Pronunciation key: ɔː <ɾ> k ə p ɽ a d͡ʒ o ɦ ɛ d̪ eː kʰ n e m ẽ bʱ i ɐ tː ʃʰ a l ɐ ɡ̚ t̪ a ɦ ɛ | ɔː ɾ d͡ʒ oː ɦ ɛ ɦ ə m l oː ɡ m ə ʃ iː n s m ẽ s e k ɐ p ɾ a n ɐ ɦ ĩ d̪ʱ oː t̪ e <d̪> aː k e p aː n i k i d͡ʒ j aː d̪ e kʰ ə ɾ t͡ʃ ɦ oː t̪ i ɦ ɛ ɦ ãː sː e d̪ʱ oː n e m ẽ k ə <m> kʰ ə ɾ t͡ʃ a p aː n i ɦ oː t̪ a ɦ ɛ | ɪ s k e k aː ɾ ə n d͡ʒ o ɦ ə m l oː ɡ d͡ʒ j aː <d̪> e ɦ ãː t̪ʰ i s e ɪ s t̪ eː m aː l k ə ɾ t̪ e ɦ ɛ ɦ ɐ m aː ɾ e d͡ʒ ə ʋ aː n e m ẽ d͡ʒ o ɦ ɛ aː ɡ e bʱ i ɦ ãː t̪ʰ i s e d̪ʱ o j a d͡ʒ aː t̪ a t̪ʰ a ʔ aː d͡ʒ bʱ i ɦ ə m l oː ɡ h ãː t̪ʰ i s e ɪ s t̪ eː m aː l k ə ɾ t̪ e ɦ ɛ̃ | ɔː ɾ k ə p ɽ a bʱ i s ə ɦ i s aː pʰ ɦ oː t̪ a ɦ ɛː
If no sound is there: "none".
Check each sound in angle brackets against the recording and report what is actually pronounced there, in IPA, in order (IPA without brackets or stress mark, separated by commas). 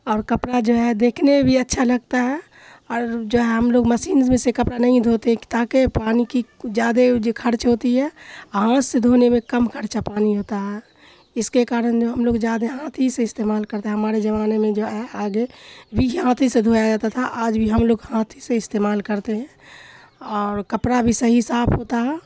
ɾ, t̪, m, d̪